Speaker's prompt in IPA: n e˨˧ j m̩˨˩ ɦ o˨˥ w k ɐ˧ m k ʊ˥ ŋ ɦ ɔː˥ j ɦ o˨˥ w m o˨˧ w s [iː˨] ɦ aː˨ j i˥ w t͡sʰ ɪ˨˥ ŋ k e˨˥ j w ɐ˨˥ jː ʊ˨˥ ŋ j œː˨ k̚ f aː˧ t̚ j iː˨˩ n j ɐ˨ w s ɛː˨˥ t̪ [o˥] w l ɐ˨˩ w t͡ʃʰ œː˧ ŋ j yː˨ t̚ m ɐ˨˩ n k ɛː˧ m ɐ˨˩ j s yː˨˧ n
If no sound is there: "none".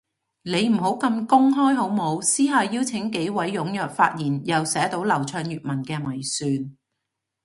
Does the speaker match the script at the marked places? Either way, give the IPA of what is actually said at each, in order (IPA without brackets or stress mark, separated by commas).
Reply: iː˥, o˨˥